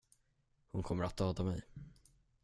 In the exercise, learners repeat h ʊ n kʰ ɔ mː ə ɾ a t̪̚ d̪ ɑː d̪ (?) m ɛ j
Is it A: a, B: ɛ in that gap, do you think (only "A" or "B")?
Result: A